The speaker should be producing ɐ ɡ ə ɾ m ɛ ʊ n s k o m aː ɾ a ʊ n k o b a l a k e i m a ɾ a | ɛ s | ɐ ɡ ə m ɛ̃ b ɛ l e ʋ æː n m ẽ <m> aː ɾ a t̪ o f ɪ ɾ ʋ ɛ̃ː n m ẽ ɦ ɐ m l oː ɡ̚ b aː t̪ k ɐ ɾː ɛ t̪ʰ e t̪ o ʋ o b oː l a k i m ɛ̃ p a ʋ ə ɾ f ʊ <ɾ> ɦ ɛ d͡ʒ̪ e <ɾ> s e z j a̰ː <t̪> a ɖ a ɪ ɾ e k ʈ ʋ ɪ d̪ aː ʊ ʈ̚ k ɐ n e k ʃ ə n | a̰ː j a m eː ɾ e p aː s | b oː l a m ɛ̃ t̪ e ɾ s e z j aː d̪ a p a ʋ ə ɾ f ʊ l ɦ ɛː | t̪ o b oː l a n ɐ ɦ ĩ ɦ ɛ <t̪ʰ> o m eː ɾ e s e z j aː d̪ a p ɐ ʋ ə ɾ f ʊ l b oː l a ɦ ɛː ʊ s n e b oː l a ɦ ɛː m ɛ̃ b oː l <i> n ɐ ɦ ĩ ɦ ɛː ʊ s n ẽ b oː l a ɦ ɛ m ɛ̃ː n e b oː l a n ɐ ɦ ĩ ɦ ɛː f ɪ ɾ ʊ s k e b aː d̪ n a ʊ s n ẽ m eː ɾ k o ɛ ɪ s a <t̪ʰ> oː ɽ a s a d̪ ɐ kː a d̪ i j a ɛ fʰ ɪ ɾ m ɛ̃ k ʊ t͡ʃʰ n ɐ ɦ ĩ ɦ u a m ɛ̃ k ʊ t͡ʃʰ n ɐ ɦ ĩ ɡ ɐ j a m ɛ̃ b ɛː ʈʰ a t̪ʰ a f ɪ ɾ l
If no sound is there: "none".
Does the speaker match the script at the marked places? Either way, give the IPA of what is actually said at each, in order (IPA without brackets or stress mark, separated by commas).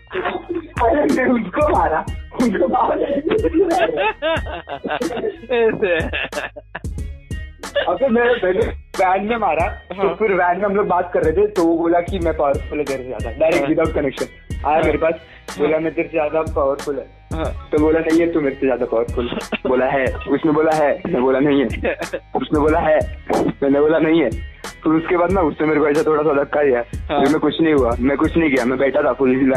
m, l, ɾ, d̪, t̪, a, t̪ʰ